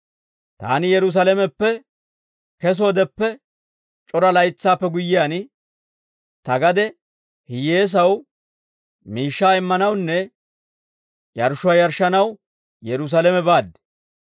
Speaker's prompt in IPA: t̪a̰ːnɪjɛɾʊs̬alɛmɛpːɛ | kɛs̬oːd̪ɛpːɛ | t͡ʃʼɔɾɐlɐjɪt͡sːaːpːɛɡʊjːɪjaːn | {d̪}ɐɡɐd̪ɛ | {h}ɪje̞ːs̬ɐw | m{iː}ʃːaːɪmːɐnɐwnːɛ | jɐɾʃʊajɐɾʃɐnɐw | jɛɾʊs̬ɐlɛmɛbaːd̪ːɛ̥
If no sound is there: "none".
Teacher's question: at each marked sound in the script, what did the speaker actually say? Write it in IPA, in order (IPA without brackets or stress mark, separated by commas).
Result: t̪, h, iː